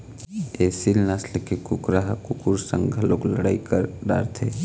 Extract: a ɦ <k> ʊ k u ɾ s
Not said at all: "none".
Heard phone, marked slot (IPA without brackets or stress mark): k